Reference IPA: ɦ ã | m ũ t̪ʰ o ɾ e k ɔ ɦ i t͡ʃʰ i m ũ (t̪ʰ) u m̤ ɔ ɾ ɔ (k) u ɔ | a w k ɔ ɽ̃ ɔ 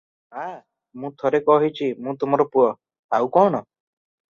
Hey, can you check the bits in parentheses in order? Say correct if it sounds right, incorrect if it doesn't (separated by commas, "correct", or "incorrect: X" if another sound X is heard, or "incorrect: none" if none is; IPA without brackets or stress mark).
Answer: incorrect: t̪, incorrect: p